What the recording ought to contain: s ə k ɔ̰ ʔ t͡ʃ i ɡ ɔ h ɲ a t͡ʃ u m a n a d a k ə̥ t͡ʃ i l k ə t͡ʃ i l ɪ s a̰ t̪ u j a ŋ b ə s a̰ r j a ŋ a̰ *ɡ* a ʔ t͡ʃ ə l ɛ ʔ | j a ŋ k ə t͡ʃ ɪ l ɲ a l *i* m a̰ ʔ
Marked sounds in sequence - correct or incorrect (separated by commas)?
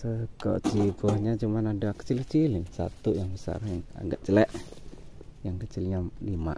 correct, correct